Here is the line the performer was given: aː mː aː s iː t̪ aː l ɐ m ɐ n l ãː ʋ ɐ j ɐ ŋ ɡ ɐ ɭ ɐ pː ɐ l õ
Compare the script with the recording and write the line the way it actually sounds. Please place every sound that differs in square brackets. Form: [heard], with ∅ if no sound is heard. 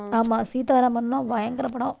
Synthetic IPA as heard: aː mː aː s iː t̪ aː [ɾ] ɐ m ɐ n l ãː ʋ ɐ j ɐ ŋ ɡ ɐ [ɾ] ɐ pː ɐ [ɽ] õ